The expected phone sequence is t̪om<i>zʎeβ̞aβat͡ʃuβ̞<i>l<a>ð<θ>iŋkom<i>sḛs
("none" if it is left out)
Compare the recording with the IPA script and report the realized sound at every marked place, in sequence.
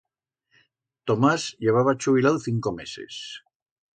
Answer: a, i, a, θ, e

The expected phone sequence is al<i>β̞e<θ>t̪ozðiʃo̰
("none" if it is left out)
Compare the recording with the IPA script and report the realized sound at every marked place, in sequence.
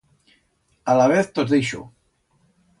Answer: a, θ

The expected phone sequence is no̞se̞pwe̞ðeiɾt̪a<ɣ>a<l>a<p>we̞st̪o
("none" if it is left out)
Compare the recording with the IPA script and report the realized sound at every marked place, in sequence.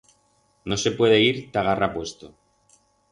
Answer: ɣ, r, p

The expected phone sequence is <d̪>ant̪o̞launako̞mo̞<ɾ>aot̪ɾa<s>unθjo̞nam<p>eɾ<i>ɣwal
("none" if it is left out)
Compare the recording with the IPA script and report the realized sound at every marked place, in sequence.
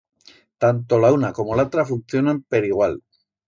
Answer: t̪, l, f, p, i

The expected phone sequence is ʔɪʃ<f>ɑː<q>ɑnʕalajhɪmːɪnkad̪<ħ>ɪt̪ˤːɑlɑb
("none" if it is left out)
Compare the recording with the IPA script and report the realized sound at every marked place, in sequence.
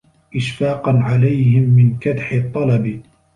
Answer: f, q, ħ

